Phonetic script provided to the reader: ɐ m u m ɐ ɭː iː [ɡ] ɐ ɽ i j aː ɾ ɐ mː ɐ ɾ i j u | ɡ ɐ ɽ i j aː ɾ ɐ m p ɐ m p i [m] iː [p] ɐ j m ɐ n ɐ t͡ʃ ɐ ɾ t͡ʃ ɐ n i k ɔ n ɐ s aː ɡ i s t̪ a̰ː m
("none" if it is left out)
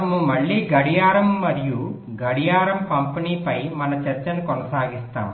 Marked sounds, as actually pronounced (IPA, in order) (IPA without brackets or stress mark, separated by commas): ɡ, n, p